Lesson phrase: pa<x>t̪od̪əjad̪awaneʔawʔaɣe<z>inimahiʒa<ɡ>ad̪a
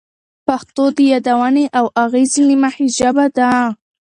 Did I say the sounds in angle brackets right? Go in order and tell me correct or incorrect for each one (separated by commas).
correct, correct, incorrect